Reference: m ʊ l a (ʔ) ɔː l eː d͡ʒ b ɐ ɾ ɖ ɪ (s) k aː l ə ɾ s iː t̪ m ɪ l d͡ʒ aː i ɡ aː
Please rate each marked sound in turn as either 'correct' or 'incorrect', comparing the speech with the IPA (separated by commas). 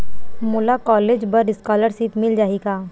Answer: incorrect, correct